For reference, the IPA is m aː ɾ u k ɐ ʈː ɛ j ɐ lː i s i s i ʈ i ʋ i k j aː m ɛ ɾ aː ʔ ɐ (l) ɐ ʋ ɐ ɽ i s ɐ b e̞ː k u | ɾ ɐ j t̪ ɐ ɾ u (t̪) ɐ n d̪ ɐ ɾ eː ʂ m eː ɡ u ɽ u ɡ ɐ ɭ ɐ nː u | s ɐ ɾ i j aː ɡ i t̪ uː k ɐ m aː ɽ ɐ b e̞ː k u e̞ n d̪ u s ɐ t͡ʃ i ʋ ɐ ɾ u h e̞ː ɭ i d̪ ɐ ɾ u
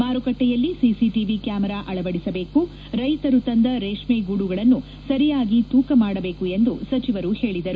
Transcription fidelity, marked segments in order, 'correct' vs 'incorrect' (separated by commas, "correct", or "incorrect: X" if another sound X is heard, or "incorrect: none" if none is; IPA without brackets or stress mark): incorrect: ɭ, correct